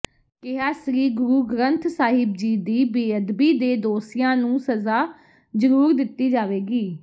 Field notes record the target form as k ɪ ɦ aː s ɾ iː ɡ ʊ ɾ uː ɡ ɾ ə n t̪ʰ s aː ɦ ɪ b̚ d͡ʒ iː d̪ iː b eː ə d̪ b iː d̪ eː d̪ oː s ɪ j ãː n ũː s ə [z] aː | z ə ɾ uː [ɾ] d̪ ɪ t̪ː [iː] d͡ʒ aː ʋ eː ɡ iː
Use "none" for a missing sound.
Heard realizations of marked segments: z, ɾ, iː

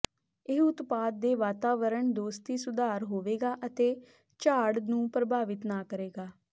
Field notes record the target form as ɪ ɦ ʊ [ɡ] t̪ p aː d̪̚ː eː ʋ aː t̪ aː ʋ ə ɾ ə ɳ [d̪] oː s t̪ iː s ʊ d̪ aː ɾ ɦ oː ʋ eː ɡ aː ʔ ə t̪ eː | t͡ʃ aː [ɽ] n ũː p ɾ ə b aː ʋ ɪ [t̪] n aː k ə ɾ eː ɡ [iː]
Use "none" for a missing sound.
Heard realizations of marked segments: none, d̪, ɽ, t̪, aː

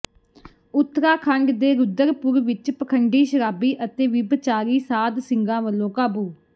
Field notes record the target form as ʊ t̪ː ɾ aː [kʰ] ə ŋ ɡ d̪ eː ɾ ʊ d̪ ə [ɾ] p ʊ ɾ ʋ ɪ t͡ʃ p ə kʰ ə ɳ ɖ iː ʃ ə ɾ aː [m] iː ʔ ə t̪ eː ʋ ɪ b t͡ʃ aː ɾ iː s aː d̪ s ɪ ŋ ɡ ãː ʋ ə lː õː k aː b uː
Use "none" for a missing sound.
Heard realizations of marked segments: kʰ, ɾ, b

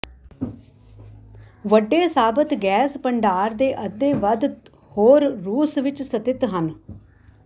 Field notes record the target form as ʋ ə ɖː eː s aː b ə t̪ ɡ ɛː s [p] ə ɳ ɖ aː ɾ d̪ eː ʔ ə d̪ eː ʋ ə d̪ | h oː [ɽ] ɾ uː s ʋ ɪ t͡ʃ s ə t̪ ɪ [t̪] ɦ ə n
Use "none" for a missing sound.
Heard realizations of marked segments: p, ɾ, t̪

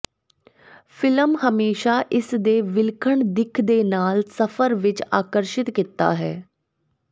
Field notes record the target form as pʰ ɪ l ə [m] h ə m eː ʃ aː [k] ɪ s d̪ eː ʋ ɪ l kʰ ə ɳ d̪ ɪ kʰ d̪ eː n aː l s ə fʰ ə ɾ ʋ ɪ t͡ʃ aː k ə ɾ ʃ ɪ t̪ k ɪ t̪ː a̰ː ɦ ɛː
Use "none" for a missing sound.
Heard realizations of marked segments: m, ʔ

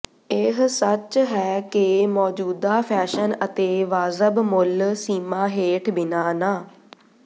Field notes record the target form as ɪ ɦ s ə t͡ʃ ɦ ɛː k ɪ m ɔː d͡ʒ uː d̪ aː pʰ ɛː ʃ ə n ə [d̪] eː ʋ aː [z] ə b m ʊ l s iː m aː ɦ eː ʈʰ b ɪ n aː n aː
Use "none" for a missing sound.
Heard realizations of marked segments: t̪, z

